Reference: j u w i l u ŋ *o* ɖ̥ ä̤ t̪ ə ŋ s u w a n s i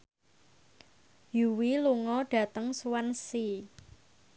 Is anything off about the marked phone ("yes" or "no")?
yes